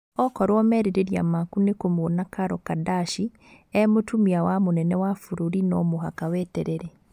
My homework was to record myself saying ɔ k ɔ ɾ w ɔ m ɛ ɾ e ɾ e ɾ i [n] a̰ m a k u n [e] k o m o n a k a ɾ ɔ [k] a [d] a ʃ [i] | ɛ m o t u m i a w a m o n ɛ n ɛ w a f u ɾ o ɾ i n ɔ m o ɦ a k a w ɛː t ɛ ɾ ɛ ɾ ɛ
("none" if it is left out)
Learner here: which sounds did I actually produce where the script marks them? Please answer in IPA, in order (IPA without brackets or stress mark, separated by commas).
none, e, k, d, i